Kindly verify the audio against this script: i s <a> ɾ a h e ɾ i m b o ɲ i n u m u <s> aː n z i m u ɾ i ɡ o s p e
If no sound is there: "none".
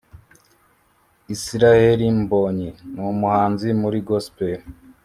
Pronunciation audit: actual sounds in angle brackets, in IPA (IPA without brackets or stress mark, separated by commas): i, h